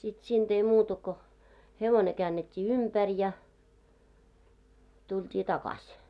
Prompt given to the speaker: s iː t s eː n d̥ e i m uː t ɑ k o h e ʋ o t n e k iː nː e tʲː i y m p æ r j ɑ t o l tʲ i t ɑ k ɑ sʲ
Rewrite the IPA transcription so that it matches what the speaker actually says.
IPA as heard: s i t s iː n d̥ e i m uː t ɑ k o h e ʋ o n e k æː nː e tʲː iː y m p æ r j ɑ t u l tʲ iː t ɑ k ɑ sʲ